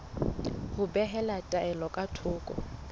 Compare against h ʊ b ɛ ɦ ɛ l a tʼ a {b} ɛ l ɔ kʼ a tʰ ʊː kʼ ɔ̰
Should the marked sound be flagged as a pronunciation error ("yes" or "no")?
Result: yes